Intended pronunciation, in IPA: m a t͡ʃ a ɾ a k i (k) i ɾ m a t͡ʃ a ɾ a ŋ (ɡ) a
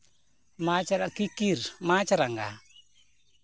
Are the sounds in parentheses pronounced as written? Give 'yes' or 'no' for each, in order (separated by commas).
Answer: yes, yes